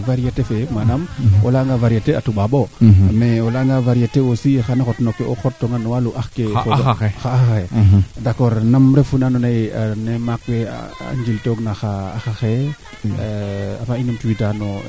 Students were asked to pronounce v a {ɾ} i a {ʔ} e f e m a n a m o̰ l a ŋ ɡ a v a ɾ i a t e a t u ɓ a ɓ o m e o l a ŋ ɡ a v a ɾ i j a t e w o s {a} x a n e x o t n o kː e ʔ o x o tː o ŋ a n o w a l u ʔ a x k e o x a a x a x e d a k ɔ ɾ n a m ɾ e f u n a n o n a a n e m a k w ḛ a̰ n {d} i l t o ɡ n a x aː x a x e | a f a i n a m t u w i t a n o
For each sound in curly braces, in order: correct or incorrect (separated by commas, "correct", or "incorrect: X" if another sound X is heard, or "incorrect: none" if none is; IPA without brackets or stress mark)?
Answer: correct, incorrect: t, incorrect: i, incorrect: d͡ʒ